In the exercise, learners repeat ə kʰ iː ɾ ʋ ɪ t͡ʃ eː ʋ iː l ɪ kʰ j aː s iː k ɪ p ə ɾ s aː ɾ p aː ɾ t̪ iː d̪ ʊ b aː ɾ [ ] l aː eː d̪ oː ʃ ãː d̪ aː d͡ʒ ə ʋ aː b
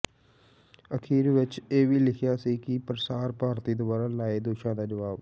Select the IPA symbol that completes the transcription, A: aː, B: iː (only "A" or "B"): A